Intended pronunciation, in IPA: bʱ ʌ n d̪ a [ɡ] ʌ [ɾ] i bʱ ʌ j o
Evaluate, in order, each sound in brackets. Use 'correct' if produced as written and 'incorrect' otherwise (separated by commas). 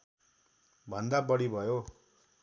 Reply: incorrect, incorrect